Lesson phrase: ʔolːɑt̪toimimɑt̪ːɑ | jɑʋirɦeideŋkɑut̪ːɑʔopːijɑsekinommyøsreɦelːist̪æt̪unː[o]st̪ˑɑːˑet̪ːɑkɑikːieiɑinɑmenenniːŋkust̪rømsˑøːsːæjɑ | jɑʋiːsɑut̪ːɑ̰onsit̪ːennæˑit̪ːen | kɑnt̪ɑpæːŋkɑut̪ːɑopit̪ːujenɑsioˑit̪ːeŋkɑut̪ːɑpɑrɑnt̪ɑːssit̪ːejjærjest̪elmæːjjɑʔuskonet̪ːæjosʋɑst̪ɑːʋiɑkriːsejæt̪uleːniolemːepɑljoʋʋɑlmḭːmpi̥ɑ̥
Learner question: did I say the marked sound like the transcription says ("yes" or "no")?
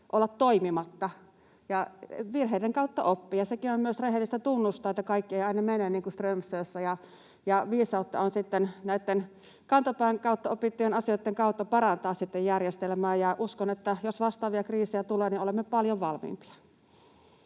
no